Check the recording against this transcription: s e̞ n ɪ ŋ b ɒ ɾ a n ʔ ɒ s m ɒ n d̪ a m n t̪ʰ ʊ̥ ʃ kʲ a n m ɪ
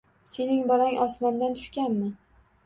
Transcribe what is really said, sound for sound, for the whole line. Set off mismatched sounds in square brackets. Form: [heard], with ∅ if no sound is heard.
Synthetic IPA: s e̞ n ɪ ŋ b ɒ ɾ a [ŋ] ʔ ɒ s m ɒ n d̪ a [∅] n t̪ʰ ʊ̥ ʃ kʲ a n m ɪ